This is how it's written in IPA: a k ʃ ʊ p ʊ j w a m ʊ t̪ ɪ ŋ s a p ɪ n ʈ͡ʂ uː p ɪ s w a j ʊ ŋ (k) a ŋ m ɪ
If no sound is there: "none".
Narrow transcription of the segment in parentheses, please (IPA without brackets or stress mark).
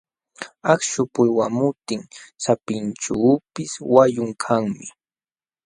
kʰ